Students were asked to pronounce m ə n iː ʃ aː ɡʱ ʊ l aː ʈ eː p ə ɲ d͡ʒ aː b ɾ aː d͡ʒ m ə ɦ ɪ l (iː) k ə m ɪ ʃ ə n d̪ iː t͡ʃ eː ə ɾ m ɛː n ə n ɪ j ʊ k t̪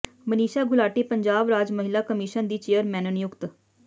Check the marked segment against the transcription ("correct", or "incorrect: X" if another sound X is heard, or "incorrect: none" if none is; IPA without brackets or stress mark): incorrect: aː